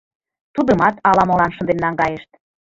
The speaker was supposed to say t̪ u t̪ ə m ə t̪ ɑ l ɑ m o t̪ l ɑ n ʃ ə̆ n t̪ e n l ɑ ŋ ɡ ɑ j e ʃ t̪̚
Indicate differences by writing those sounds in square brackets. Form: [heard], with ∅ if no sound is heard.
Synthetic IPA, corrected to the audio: t̪ u [d̪] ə m [ɑ] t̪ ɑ l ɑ m o [∅] l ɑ n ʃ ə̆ n [d̪] e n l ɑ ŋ ɡ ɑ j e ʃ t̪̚